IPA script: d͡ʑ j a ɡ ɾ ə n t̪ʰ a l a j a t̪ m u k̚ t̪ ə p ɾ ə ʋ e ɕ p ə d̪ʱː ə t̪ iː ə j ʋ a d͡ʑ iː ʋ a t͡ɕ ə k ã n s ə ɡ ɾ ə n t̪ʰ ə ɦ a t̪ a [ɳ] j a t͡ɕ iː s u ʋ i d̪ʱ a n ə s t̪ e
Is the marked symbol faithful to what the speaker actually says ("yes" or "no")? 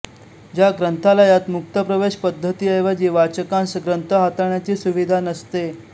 yes